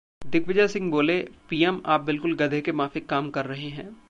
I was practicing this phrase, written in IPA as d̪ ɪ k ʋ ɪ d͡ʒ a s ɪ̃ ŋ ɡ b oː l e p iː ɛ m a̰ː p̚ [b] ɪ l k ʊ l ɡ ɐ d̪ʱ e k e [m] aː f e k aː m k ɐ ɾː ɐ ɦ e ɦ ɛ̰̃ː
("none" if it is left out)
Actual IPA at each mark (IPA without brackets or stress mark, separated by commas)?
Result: b, m